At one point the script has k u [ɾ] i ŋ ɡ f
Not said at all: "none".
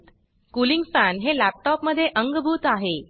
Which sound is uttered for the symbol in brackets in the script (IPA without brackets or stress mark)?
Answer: l